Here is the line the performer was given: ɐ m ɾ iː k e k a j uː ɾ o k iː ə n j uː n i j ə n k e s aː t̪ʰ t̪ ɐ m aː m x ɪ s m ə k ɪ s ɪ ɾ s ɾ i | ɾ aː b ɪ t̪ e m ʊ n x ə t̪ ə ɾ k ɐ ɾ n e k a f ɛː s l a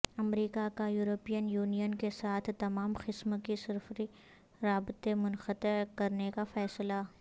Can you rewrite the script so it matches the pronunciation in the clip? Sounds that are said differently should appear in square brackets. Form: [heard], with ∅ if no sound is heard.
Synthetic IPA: ɐ m ɾ iː k [a] k a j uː ɾ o [p] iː ə n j uː n i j ə n k e s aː t̪ʰ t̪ ɐ m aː m x ɪ s m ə k [i] s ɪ ɾ [f] ɾ i | ɾ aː b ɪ t̪ e m ʊ n x ə t̪ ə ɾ k ɐ ɾ n e k a f ɛː s l a